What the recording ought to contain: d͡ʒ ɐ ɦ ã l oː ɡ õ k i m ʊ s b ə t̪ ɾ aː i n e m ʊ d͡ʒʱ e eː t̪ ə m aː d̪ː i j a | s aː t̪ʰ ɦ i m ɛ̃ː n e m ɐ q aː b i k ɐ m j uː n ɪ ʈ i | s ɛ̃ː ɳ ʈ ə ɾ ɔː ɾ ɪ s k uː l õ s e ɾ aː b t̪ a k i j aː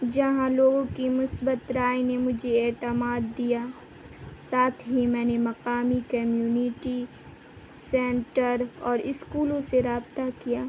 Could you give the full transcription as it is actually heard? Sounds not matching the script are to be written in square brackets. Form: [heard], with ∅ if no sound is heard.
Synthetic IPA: d͡ʒ ɐ ɦ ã l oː ɡ õ k i m ʊ s b ə t̪ ɾ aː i n e m ʊ d͡ʒʱ e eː t̪ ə m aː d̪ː i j a | s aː t̪ʰ ɦ i m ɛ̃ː n e m ɐ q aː [m] i k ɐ m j uː n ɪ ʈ i | s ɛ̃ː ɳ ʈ ə ɾ ɔː ɾ ɪ s k uː l õ s e ɾ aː b t̪ a k i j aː